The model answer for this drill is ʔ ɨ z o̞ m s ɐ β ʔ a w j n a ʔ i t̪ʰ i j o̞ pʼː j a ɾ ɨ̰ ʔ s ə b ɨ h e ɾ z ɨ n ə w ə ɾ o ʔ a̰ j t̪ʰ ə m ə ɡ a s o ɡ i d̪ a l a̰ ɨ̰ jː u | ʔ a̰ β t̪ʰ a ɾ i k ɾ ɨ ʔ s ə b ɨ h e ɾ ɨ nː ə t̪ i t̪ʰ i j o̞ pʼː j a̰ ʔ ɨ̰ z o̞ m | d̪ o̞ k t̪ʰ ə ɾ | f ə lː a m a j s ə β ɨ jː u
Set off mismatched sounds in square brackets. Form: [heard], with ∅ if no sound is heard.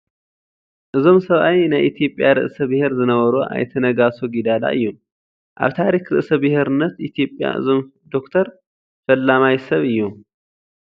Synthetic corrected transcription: ʔ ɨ z o̞ m s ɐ β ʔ a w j n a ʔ i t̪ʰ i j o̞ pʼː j a ɾ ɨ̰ ʔ s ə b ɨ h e ɾ z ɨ n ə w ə ɾ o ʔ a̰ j t̪ʰ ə [n] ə ɡ a s o ɡ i d̪ a l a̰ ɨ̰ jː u | ʔ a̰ β t̪ʰ a ɾ i k ɾ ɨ ʔ s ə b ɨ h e ɾ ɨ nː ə t̪ i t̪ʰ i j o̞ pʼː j a̰ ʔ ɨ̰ z o̞ m | d̪ o̞ k t̪ʰ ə ɾ | f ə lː a m a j s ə β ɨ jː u